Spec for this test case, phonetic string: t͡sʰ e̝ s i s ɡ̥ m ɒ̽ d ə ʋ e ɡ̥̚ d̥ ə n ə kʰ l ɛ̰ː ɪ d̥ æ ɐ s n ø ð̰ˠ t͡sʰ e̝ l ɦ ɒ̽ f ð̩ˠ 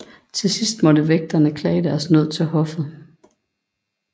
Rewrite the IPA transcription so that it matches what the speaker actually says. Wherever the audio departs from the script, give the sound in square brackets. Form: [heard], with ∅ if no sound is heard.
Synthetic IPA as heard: t͡sʰ e̝ s i s [d̥] m ɒ̽ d ə ʋ e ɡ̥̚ d̥ [ɐ] n ə kʰ l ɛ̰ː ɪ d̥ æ ɐ s n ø ð̰ˠ t͡sʰ e̝ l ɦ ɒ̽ f ð̩ˠ